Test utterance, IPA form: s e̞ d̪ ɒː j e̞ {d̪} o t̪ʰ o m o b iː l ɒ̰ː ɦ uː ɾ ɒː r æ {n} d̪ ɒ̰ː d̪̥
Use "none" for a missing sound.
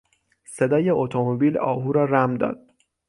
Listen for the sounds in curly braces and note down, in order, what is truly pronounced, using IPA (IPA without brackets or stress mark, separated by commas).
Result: none, m